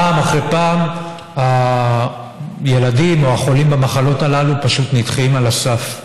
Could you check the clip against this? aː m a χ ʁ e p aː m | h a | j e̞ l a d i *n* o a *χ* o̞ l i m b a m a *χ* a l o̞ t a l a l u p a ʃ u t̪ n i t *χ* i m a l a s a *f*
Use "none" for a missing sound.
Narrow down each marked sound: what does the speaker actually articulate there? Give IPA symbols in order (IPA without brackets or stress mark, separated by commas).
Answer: m, χ, χ, χ, f